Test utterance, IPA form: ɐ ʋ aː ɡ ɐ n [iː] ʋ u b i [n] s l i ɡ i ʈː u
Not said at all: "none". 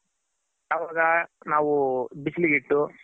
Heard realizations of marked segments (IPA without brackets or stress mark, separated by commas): aː, none